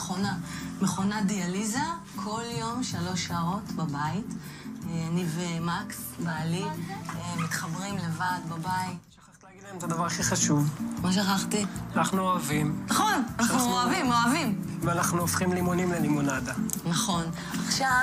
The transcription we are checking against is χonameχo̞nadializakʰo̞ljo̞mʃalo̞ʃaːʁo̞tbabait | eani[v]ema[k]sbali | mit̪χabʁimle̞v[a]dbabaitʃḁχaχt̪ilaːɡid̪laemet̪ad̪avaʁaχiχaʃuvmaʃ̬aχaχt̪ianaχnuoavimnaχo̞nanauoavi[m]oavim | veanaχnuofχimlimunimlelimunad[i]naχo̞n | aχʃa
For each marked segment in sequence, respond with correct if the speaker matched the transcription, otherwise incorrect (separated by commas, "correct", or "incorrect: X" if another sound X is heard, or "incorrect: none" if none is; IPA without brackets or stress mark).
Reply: correct, correct, correct, correct, incorrect: a